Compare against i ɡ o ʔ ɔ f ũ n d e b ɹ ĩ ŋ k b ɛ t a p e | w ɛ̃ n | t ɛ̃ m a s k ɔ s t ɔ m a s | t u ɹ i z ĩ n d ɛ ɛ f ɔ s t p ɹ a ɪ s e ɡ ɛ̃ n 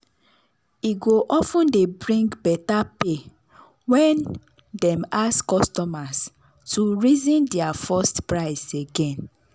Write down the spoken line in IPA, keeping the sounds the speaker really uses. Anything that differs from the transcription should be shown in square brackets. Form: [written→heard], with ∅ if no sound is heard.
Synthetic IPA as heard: i ɡ o ʔ ɔ f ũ n d e b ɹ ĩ ŋ [k→ɡ] b ɛ t a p e | w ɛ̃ n | [t→d] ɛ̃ m a s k ɔ s t ɔ m a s | t u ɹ i z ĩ n d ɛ [ɛ→a] f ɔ s t p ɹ a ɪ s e ɡ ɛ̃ n

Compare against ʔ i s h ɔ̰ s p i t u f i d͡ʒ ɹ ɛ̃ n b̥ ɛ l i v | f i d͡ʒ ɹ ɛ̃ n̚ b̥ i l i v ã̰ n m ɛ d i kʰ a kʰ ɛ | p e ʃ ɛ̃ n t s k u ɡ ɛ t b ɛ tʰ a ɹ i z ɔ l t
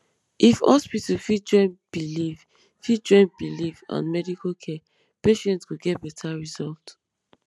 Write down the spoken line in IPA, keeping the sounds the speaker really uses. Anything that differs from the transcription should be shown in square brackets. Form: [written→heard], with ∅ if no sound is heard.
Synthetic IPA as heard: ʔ i [s→f] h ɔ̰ s p i t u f i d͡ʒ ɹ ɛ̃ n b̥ [ɛ→i] l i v | f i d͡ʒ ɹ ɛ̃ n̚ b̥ i l i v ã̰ n m ɛ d i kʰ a kʰ ɛ | p e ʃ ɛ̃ n t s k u ɡ ɛ t b ɛ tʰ a ɹ i z ɔ l t

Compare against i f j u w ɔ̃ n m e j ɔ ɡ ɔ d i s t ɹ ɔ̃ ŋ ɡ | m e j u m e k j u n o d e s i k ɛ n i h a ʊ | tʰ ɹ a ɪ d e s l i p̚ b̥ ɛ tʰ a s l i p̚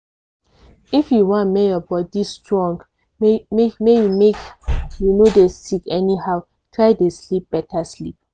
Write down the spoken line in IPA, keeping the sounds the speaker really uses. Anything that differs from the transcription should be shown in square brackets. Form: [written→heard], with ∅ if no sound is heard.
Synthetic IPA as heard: i f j u w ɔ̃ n m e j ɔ [ɡ→b] ɔ d i s t ɹ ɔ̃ ŋ ɡ | m e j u m e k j u n o d e s i k ɛ n i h a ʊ | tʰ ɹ a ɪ d e s l i p̚ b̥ ɛ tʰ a s l i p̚

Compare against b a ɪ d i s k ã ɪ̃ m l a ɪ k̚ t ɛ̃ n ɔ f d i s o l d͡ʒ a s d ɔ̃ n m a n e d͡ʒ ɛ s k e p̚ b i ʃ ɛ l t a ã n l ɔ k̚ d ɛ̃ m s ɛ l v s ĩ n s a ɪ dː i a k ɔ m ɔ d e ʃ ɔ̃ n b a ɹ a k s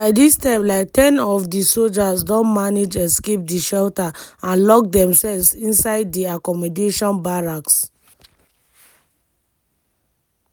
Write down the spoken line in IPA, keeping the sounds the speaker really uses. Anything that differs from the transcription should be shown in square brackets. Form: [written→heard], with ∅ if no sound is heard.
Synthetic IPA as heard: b a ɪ d i s [k→t] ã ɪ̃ m l a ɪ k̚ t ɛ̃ n ɔ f d i s o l d͡ʒ a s d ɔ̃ n m a n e d͡ʒ ɛ s k e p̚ [b→d] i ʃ ɛ l t a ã n l ɔ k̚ d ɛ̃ m s ɛ l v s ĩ n s a ɪ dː i a k ɔ m ɔ d e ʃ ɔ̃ n b a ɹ a k s

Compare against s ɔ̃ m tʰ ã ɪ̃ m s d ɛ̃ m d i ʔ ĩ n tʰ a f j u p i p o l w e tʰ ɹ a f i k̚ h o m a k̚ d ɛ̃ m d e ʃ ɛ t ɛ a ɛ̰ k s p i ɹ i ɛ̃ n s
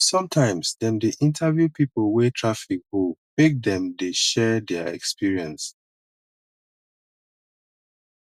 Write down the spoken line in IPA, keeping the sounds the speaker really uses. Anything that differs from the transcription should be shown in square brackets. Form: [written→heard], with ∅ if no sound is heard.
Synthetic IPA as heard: s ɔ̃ m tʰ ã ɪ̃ m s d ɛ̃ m d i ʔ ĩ n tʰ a [f→v] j u p i p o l w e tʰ ɹ a f i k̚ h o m [a→e] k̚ d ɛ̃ m d e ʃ ɛ [t→d] ɛ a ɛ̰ k s p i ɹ i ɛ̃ n s

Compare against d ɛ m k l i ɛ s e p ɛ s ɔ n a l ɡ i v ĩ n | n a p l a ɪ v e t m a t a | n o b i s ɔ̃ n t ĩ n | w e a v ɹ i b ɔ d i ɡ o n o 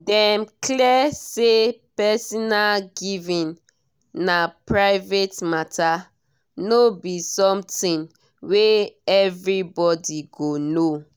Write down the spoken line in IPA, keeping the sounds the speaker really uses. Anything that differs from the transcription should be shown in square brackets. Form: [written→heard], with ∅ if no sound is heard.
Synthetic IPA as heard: d ɛ m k l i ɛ s e p ɛ s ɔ n a l ɡ i v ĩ n | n a p [l→ɹ] a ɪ v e t m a t a | n o b i s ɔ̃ [n→m] t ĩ n | w e [a→ɛ] v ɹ i b ɔ d i ɡ o n o

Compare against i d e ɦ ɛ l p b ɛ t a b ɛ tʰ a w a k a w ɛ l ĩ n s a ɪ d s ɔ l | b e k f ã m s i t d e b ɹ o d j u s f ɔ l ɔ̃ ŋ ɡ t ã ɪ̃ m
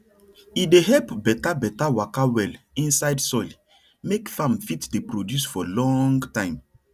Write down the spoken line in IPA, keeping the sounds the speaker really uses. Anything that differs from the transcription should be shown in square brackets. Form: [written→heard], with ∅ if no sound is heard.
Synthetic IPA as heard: i d e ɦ ɛ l p b ɛ t a b ɛ [tʰ→t] a w a k a w ɛ l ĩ n s a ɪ d s ɔ l | [b→m] e k f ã m [s→f] i t d e [b→p] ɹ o d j u s f ɔ l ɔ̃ ŋ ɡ t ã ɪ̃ m

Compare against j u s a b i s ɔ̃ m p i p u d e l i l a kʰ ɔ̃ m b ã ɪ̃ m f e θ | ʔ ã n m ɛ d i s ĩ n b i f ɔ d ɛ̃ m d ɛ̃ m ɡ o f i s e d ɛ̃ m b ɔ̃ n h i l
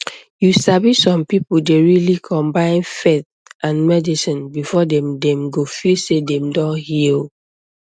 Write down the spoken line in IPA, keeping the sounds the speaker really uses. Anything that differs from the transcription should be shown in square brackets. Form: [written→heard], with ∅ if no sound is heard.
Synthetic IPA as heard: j u s a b i s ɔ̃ m p i p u d e [l→ɹ] i l [a→i] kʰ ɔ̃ m b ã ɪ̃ [m→n] f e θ | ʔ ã n m ɛ d i s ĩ n b i f ɔ d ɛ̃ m d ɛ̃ m ɡ o f i s e d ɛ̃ m [b→d] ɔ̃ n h i l

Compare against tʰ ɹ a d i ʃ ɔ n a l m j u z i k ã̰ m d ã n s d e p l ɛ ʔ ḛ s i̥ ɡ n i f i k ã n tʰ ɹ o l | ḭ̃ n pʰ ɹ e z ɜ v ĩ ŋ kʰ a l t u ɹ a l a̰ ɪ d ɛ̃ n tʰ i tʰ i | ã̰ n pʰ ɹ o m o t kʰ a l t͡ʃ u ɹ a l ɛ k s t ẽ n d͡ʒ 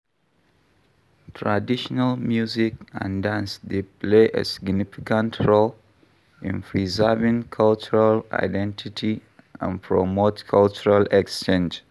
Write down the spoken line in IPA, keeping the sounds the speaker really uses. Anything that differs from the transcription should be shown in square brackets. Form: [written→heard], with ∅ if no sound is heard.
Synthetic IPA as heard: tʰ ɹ a d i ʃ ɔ n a l m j u z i k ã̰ [m→n] d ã n s d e p l [ɛ→e] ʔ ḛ s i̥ ɡ n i f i k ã n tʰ ɹ o l | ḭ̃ n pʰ ɹ [e→i] z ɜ v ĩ ŋ kʰ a l [t→t͡ʃ] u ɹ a l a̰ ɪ d ɛ̃ n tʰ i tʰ i | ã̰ n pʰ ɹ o m o t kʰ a l t͡ʃ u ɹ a l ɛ k s [t→t͡ʃ] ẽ n d͡ʒ

